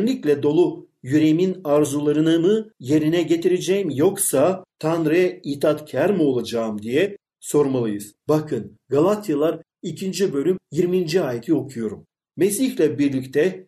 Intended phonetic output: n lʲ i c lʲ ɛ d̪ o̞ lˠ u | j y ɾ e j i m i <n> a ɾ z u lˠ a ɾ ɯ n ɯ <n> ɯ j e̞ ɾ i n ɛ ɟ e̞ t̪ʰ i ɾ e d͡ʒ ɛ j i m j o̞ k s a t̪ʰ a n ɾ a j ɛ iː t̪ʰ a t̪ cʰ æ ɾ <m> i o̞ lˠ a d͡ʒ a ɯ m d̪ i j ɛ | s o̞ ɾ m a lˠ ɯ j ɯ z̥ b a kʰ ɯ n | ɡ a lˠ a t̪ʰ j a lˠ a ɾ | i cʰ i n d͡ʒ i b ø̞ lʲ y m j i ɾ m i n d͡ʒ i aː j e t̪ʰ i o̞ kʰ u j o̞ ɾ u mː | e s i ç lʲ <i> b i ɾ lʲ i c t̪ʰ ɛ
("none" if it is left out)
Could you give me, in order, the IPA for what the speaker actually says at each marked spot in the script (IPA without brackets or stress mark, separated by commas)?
n, m, m, ɛ